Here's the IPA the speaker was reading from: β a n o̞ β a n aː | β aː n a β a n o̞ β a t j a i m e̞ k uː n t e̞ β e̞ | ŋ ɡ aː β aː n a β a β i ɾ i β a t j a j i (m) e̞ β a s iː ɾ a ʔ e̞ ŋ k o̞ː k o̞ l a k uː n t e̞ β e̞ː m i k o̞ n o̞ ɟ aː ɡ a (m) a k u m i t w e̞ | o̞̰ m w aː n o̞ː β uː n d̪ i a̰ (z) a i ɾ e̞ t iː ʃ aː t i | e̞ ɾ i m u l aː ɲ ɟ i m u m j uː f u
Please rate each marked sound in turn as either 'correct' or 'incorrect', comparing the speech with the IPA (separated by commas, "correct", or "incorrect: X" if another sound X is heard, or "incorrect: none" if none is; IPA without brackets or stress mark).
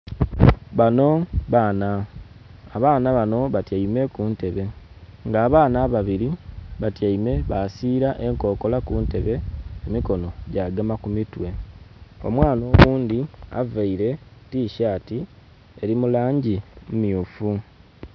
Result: correct, correct, incorrect: v